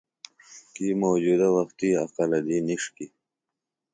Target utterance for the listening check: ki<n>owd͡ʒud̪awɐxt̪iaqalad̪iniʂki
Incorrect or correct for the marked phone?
incorrect: m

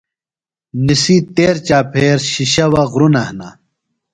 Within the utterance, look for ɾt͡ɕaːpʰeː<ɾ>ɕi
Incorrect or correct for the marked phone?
correct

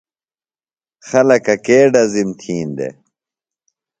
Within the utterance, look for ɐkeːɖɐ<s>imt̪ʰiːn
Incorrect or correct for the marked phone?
incorrect: z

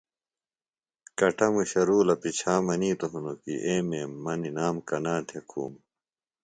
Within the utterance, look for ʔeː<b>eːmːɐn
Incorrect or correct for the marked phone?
incorrect: m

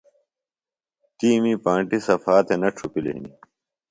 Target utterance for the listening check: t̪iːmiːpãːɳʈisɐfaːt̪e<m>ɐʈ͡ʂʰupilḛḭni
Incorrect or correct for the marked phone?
incorrect: n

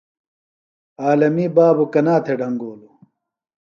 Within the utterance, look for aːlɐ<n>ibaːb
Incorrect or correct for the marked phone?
incorrect: m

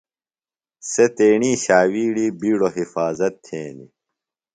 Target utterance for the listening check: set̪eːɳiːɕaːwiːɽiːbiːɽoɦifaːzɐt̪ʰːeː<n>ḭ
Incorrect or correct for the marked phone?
correct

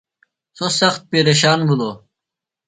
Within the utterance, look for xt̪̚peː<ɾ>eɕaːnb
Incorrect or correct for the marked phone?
correct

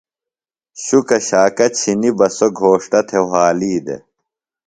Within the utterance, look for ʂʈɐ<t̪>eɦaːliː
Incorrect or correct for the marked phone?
incorrect: t̪ʰ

